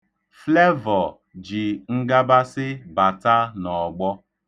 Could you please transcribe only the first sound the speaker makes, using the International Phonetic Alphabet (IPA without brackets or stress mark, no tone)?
f